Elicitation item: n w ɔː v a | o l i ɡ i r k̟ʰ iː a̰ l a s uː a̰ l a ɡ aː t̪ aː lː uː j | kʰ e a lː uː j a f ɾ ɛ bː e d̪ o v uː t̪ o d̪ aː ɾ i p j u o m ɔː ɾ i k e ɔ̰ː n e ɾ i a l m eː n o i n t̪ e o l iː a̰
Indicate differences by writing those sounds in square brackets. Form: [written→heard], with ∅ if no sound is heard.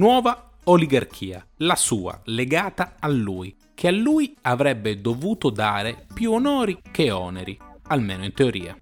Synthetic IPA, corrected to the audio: n w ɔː v a | o l i ɡ [i→a] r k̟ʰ iː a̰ l a s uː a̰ l [a→e] ɡ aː t̪ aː lː uː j | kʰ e a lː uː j a [f→v] ɾ ɛ bː e d̪ o v uː t̪ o d̪ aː ɾ [i→e] p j u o [m→n] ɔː ɾ i k e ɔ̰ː n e ɾ i a l m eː n o i n t̪ e o [l→ɾ] iː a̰